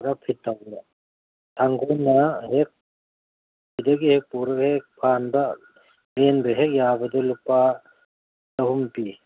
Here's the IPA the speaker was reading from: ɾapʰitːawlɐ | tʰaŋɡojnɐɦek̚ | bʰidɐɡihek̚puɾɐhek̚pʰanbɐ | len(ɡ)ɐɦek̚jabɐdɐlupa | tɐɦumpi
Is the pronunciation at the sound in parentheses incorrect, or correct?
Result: incorrect